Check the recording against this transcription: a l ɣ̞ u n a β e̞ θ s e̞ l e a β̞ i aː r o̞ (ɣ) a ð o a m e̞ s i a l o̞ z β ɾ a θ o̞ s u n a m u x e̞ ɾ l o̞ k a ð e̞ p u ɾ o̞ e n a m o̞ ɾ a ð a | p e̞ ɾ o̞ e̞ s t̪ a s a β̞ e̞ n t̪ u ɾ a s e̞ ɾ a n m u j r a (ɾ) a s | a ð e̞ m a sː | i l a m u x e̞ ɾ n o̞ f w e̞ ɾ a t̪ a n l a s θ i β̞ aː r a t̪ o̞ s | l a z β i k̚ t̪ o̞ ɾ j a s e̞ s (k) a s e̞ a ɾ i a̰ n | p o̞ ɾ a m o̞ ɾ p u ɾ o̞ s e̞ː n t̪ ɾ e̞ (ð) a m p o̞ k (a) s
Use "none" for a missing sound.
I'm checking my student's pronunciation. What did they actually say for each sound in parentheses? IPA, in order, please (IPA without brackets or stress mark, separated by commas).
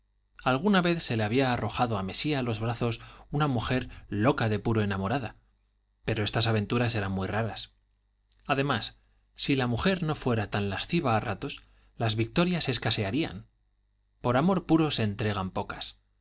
x, ɾ, k, ɣ, a